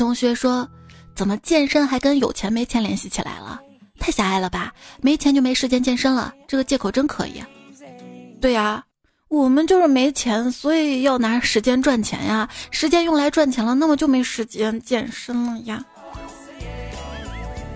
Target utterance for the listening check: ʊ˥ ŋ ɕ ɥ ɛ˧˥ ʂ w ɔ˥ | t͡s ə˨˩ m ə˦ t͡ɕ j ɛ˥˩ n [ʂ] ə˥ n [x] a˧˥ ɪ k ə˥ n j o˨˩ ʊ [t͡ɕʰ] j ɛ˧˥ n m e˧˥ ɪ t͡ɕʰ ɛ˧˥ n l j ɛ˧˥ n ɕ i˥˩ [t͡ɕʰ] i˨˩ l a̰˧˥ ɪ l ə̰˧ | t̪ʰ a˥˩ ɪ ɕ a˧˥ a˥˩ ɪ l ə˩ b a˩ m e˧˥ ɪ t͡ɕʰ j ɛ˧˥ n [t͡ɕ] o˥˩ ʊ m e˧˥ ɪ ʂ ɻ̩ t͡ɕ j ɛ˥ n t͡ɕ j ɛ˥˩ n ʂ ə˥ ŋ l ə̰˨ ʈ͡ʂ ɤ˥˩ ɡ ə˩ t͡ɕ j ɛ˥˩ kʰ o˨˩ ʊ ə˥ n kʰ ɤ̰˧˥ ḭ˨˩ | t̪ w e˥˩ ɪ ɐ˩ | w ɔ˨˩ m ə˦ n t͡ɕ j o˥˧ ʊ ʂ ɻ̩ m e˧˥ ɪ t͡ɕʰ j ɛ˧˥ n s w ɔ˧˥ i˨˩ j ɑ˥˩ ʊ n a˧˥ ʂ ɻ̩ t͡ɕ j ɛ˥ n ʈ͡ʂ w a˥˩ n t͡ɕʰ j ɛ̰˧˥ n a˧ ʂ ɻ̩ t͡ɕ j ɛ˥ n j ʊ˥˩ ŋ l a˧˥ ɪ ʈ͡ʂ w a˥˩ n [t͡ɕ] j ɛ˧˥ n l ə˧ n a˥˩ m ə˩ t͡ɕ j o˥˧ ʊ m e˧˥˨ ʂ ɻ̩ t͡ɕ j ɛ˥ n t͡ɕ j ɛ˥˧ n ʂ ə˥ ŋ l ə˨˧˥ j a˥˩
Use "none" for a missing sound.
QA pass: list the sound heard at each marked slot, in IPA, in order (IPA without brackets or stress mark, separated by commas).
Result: ʂ, x, t͡ɕʰ, t͡ɕʰ, t͡ɕ, t͡ɕʰ